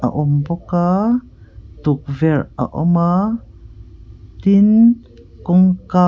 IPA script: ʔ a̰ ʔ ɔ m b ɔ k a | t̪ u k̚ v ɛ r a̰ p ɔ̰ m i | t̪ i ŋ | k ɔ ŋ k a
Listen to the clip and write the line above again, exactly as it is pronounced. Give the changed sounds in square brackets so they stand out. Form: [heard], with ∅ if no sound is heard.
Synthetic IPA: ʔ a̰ ʔ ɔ m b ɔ k a | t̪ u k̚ v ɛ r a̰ [ʔ] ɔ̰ m [a] | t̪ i [n] | k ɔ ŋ k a